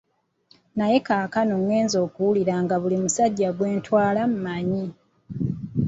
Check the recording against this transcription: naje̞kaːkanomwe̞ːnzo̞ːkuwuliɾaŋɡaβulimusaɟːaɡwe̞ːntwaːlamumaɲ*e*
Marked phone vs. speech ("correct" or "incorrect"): incorrect